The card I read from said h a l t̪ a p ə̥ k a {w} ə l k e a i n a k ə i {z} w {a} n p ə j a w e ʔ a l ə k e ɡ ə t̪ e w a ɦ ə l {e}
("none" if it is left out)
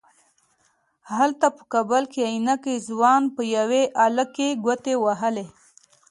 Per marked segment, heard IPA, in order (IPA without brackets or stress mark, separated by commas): b, z, ɑ, e